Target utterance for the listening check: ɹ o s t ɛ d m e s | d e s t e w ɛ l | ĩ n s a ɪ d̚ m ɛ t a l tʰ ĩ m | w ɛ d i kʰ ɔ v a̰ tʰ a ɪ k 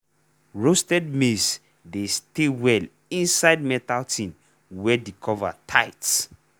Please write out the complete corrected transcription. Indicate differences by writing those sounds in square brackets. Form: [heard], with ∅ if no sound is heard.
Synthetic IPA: ɹ o s t ɛ d m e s | d e s t e w ɛ l | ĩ n s a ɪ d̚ m ɛ t a l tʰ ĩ [n] | w ɛ d i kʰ ɔ v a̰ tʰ a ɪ [t]